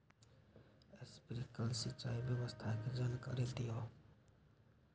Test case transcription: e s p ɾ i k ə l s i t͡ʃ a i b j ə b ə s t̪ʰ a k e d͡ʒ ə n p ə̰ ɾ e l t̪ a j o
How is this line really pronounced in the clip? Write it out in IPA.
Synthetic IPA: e s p ɾ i k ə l s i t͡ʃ a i b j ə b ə s t̪ʰ a k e d͡ʒ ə n k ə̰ ɾ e l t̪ i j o